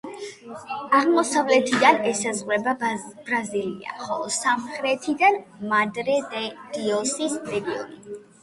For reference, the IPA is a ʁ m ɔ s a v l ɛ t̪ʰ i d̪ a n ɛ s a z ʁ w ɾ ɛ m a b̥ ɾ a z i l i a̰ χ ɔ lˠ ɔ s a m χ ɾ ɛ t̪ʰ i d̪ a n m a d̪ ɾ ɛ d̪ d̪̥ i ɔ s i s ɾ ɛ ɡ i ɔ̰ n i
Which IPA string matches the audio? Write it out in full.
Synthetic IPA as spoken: a ʁ m ɔ s a v l ɛ t̪ʰ i d̪ a n ɛ s a z ʁ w ɾ ɛ b a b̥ ɾ a z i l i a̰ χ ɔ lˠ ɔ s a m χ ɾ ɛ t̪ʰ i d̪ a n m a d̪ ɾ ɛ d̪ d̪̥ i ɔ s i s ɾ ɛ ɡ i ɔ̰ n i